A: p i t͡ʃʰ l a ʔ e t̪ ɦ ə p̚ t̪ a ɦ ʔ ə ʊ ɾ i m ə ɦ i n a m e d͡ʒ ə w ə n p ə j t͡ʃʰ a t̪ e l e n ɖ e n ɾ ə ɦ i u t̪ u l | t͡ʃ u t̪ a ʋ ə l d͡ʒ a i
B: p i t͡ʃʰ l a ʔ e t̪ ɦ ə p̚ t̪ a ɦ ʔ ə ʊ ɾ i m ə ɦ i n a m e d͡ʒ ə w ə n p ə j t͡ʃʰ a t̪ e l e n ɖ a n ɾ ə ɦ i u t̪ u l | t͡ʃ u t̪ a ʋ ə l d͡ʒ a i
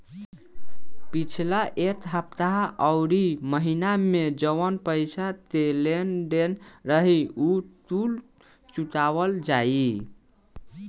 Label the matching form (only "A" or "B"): A